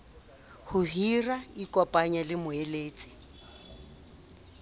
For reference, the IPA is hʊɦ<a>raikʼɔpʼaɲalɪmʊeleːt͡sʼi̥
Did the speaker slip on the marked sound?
yes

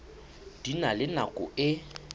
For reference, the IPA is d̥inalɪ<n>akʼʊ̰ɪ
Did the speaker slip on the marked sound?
no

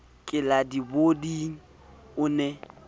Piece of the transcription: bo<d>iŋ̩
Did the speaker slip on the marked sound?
no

